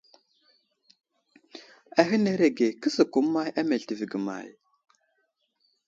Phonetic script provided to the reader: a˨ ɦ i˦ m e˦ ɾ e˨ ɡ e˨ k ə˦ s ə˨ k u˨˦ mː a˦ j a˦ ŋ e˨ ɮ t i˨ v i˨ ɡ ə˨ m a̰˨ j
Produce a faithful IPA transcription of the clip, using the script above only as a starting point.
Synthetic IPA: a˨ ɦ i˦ n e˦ ɾ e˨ ɡ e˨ k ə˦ s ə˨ k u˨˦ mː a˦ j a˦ m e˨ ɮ t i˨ v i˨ ɡ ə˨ m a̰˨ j